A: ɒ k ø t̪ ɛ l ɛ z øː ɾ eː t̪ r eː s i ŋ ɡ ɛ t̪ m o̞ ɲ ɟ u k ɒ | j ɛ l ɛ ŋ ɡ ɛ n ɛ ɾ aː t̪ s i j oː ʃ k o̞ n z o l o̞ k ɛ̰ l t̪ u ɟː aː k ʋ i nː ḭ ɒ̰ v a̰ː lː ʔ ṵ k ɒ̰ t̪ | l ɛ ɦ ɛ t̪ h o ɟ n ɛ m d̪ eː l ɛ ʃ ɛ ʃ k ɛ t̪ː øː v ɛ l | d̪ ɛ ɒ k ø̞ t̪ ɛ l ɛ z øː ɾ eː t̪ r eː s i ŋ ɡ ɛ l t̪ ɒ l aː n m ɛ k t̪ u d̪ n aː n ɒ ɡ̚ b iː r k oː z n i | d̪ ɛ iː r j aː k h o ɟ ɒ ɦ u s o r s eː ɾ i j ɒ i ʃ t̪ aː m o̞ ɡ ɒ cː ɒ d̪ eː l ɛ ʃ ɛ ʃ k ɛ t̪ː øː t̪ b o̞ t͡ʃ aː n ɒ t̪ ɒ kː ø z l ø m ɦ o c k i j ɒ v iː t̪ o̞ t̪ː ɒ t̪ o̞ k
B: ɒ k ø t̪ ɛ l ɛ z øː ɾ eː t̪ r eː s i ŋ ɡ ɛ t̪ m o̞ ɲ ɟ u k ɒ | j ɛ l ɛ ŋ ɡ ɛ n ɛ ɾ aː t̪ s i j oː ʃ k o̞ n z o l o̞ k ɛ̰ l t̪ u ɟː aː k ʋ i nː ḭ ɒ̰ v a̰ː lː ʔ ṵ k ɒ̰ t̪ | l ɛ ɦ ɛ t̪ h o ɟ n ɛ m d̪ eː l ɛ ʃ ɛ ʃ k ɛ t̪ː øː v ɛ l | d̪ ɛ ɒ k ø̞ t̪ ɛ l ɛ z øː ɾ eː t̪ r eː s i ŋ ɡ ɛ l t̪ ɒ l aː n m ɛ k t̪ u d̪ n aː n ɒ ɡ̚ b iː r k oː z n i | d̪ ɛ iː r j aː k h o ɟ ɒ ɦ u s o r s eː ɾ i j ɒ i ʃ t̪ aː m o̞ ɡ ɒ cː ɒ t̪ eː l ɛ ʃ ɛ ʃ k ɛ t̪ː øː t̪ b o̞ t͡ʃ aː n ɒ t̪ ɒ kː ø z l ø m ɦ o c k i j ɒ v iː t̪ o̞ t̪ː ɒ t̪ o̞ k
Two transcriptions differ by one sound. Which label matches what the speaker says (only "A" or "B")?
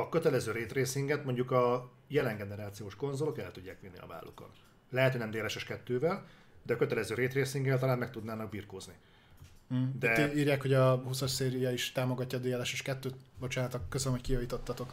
A